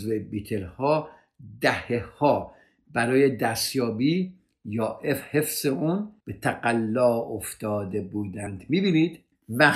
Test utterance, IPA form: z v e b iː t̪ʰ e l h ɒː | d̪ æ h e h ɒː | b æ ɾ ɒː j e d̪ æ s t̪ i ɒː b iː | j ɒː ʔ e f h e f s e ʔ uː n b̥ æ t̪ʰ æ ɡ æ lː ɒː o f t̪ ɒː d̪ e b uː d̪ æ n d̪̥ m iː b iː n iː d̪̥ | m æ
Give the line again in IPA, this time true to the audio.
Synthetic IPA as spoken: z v e b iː t̪ʰ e l h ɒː | d̪ æ h e h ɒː | b æ ɾ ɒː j e d̪ æ s t̪ j ɒː b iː | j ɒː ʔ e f h e f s e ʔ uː n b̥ e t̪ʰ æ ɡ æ lː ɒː o f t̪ ɒː d̪ e b uː d̪ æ n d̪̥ m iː b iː n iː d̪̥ | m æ